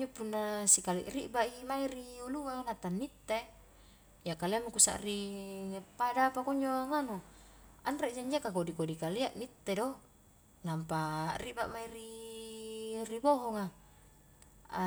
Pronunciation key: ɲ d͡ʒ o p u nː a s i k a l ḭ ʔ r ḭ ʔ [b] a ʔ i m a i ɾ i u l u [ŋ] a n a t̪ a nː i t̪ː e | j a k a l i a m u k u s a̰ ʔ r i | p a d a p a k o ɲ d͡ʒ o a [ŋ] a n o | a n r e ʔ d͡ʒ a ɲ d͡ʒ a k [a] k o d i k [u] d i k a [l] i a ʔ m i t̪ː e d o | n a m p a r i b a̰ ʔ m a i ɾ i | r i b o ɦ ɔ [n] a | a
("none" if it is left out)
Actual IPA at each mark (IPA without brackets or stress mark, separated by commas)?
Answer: b, ŋ, ŋ, a, o, l, ŋ